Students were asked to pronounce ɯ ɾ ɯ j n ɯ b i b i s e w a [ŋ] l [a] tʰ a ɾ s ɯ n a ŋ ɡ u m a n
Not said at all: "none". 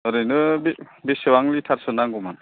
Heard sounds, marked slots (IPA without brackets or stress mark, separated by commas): ŋ, i